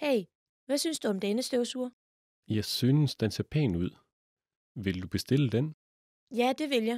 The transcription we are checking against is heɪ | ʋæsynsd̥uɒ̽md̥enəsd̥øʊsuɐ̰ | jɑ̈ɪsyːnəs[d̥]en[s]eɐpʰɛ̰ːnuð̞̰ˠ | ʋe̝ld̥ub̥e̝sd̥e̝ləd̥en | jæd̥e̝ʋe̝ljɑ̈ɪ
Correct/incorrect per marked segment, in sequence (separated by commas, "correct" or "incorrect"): correct, correct